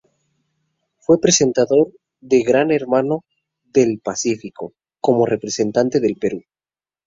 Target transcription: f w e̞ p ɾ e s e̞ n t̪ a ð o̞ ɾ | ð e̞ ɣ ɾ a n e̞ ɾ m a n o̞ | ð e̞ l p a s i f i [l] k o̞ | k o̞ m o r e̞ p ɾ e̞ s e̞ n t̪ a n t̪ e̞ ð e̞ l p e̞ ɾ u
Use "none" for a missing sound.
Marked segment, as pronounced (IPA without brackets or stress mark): none